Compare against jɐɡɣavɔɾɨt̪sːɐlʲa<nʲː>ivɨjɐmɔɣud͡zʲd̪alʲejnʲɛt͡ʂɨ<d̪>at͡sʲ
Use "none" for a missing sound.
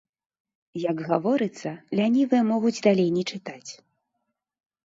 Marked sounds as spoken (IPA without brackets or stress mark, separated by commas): nʲ, t̪